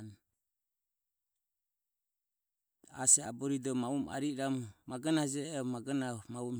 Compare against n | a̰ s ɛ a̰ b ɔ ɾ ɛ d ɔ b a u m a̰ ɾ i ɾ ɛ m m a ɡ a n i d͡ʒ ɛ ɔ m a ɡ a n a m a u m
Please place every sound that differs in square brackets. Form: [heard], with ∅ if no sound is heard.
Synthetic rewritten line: n | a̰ s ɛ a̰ b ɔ ɾ [i] d ɔ [m] a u m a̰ ɾ i ɾ [a] m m a ɡ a n [a] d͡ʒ ɛ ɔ m a ɡ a n a m a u m